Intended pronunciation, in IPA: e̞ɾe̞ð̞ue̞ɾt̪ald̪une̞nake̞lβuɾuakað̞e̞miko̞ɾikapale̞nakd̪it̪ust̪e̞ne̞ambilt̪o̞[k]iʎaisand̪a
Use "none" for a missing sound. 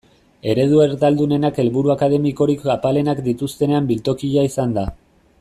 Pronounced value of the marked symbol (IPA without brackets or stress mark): k